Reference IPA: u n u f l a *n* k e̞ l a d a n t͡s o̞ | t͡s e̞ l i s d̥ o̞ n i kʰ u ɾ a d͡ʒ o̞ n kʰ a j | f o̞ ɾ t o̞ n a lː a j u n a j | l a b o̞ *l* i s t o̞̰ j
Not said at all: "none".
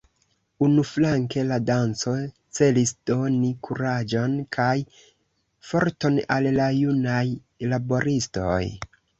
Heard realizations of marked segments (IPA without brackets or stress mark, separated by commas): ŋ, ɾ